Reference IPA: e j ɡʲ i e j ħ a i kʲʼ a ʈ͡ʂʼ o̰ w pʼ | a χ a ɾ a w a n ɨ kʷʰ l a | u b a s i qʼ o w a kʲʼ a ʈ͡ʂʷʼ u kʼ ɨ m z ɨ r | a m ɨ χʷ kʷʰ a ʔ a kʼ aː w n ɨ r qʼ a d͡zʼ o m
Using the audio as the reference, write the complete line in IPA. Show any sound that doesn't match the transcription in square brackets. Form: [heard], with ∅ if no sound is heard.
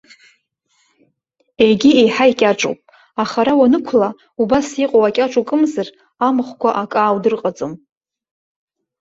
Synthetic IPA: e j ɡʲ i e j ħ a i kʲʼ a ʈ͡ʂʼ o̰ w pʼ | a χ a ɾ a w a n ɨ kʷʰ l a | u b a s i qʼ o w a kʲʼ a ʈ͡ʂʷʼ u kʼ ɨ m z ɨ r | a m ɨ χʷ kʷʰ a ʔ a kʼ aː w [d] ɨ r qʼ a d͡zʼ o m